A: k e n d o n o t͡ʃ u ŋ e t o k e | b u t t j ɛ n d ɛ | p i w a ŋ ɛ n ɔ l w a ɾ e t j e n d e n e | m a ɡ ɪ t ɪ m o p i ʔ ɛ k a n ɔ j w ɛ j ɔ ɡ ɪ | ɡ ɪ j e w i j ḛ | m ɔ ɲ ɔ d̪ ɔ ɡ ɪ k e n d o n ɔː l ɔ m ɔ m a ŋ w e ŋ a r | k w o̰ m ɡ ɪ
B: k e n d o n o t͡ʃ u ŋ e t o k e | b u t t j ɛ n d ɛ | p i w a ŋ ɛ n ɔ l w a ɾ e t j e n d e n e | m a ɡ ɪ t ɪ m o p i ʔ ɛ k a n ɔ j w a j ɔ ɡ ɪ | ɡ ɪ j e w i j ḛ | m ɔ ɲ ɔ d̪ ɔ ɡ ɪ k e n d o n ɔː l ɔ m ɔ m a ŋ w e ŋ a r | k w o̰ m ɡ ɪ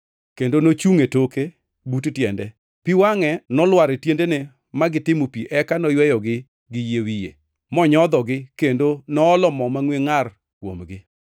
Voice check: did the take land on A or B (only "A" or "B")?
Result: A